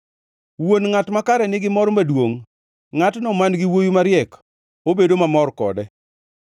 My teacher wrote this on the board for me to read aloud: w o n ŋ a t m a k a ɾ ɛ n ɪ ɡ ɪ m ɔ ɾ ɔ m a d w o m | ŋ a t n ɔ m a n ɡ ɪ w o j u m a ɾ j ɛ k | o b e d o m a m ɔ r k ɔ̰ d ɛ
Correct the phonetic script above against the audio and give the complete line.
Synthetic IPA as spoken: w o n ŋ a t m a k a ɾ ɛ n ɪ ɡ ɪ m ɔ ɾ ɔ m a d w o ŋ | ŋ a t n ɔ m a n ɡ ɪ w o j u m a ɾ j ɛ k | o b e d o m a m ɔ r k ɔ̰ d ɛ